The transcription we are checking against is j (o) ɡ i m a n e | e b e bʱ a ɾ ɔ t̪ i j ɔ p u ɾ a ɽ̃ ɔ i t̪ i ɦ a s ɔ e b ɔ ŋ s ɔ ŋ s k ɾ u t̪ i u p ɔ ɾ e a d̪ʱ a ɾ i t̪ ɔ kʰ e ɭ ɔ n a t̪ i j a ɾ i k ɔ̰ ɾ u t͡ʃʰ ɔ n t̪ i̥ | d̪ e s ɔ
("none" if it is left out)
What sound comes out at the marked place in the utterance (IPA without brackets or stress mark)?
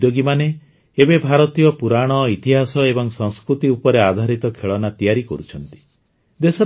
o